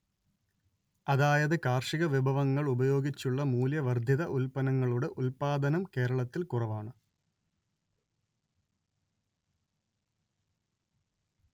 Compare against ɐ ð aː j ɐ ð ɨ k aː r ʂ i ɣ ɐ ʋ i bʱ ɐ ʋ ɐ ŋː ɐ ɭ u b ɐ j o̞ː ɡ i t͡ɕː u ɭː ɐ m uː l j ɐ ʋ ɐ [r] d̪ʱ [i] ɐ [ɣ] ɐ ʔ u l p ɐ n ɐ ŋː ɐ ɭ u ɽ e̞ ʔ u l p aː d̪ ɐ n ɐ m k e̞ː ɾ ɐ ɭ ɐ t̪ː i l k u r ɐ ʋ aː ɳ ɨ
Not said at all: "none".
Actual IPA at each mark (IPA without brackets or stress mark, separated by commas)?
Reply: r, j, ð